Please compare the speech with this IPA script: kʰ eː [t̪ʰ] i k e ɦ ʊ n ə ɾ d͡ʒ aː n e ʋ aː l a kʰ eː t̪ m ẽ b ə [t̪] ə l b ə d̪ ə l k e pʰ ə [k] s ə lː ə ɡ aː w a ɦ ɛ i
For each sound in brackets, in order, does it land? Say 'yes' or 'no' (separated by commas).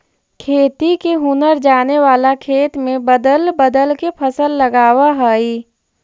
no, no, no